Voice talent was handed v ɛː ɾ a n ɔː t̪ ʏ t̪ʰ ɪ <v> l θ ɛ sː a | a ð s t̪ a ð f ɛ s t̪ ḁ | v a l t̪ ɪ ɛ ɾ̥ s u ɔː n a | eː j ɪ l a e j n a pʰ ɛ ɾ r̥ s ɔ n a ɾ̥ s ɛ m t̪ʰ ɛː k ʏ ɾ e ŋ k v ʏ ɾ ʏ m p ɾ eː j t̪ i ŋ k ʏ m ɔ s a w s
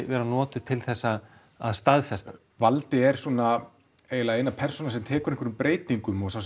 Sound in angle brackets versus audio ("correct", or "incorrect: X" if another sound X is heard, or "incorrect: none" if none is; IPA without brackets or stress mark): incorrect: none